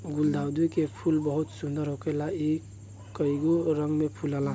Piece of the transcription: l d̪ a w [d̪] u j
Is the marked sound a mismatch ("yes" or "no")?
no